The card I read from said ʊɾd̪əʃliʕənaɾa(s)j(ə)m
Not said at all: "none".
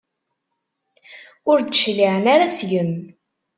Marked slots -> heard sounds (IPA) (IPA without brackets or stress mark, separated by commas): s, ə